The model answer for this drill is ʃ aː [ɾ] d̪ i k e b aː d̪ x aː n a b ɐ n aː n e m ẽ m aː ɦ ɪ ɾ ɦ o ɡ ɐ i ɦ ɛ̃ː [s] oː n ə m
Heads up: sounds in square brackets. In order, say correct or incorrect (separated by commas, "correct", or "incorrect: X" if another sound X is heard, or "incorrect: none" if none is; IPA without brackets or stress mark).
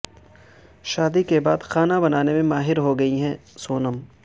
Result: incorrect: none, correct